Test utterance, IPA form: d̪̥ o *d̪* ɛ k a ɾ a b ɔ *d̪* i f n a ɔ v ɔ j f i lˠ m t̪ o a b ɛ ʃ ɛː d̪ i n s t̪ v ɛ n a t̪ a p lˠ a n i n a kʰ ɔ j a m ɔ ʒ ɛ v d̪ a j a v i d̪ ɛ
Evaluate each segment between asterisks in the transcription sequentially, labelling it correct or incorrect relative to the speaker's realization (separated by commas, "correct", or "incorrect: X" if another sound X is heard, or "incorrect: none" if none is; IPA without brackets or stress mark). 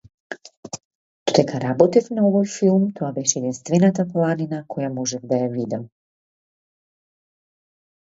correct, incorrect: t̪